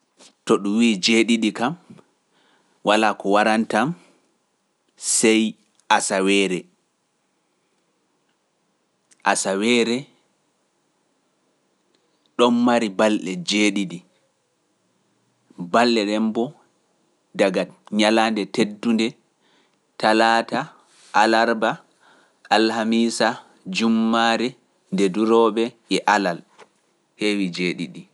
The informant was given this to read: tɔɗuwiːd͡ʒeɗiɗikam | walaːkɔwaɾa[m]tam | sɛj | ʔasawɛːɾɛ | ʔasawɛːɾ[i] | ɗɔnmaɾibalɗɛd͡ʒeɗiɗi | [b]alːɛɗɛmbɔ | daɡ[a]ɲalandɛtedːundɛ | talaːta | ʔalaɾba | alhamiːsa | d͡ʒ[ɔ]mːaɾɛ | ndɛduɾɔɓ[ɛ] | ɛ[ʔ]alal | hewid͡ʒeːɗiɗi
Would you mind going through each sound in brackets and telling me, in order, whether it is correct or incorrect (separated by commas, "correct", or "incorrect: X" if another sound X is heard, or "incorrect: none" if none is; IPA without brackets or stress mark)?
incorrect: n, incorrect: ɛ, correct, correct, incorrect: u, correct, correct